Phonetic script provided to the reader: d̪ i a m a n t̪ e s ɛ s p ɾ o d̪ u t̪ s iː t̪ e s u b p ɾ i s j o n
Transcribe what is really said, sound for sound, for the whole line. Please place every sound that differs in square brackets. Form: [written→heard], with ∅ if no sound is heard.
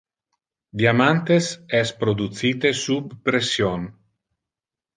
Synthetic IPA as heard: d̪ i a m a n t̪ e s ɛ s p ɾ o d̪ u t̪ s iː t̪ e s u b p ɾ [i→e] s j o n